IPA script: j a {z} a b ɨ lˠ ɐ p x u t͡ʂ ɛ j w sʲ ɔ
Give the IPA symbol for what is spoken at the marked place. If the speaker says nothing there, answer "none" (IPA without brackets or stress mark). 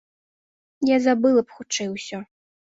z